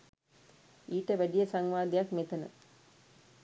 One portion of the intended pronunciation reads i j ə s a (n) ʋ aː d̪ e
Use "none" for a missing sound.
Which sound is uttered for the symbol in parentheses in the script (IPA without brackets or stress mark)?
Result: ŋ